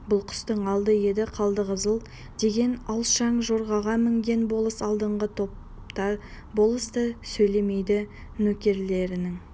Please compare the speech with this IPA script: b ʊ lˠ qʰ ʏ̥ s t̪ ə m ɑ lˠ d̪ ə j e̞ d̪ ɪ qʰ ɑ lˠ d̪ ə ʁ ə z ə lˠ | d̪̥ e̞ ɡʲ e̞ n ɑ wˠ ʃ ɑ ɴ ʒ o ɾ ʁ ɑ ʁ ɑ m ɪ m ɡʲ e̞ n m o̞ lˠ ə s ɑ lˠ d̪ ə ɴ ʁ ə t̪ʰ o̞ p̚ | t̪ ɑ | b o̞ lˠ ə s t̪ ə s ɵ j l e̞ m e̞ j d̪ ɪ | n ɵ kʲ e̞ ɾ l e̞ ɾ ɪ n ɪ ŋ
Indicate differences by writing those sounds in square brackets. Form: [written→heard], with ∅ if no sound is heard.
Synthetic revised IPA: b ʊ lˠ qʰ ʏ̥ s t̪ ə [m→ɴ] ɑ lˠ d̪ ə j e̞ d̪ ɪ qʰ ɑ lˠ d̪ ə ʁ ə z ə lˠ | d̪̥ e̞ ɡʲ e̞ n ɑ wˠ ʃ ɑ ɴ ʒ o ɾ ʁ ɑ ʁ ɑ m ɪ [m→ŋ] ɡʲ e̞ n [m→b] o̞ lˠ ə s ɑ lˠ d̪ ə ɴ ʁ ə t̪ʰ o̞ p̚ | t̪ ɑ | b o̞ lˠ ə s t̪ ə s ɵ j l e̞ m e̞ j d̪ ɪ | n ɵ kʲ e̞ ɾ l e̞ ɾ ɪ n ɪ ŋ